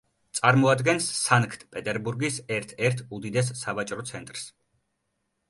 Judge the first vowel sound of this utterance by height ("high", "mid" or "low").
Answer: low